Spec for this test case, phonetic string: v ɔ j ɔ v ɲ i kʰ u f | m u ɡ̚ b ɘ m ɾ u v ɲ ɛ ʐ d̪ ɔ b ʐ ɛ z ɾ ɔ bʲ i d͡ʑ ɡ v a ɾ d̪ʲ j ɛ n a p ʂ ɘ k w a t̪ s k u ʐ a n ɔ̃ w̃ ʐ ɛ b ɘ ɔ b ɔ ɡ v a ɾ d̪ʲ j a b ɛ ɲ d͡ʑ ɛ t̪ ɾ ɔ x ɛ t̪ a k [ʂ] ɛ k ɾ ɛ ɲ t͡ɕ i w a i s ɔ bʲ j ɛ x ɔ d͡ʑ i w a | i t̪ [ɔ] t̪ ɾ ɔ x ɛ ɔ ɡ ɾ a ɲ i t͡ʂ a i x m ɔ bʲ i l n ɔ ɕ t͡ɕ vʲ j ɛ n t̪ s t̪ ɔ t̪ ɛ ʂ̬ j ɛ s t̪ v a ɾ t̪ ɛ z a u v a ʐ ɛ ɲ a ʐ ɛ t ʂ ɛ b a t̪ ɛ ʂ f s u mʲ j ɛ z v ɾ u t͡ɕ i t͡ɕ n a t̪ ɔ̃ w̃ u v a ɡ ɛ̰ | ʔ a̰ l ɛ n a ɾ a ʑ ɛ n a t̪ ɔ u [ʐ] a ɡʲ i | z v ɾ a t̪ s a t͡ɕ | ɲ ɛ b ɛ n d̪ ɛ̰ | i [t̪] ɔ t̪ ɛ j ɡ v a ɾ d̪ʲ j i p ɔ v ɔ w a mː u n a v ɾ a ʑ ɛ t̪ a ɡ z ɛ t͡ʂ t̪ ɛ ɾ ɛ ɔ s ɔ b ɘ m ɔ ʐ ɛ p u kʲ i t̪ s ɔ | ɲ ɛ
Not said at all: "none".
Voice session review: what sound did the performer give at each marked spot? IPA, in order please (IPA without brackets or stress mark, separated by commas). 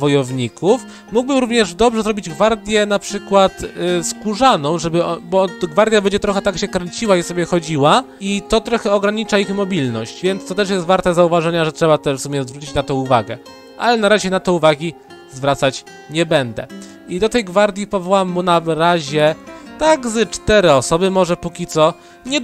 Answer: ɕ, ɔ, v, d̪